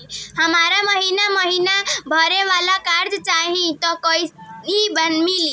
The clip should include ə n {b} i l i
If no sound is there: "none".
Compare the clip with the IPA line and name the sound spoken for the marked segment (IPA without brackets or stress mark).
m